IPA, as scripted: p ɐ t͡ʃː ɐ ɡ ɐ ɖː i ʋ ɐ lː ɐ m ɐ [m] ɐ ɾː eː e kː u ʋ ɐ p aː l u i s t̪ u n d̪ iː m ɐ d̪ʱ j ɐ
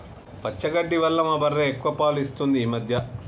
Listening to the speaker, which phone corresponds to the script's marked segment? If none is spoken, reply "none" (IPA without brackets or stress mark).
b